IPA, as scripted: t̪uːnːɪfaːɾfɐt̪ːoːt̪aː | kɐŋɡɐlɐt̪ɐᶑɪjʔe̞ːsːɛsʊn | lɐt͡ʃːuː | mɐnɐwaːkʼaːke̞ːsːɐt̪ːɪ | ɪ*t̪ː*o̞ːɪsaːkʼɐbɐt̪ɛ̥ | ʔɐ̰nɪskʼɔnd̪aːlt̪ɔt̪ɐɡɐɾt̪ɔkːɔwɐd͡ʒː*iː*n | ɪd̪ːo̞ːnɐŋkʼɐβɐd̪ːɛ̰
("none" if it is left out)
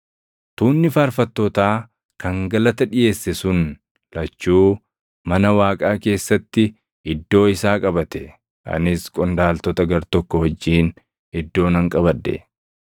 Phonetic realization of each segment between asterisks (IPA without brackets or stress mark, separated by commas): d̪ː, iː